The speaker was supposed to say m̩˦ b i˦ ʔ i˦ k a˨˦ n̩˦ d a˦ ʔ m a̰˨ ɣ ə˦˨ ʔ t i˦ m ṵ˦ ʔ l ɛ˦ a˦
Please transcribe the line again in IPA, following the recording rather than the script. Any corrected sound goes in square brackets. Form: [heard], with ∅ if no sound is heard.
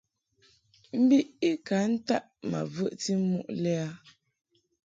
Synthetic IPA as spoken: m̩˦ b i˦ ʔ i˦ k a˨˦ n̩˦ [t] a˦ ʔ m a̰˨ [v] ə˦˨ ʔ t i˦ m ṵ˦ ʔ l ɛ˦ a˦